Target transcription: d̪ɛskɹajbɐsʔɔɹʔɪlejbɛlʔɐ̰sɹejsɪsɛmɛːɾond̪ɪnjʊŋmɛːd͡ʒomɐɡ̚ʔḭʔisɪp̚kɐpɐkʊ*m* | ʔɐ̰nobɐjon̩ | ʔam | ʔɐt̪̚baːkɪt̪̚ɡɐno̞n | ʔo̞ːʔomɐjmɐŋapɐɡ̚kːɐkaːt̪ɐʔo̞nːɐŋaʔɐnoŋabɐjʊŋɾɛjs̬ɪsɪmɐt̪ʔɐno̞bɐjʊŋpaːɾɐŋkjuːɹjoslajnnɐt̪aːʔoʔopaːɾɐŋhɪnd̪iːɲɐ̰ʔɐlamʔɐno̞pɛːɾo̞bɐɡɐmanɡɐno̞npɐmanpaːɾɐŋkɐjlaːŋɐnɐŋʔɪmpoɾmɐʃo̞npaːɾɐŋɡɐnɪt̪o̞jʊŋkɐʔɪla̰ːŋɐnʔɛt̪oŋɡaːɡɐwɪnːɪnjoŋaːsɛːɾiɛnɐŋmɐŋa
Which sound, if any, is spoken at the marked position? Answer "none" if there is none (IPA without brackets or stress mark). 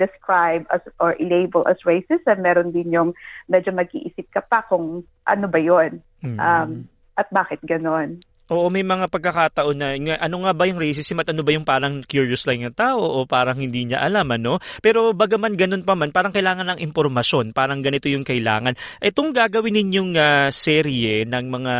ŋ